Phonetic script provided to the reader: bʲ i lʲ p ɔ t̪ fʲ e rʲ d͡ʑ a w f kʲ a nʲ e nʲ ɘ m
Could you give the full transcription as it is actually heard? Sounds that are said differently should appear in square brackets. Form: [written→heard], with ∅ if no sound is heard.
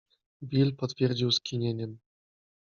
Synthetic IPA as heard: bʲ i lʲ p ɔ t̪ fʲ e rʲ d͡ʑ [a→i] w [f→s] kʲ [a→i] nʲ e nʲ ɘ m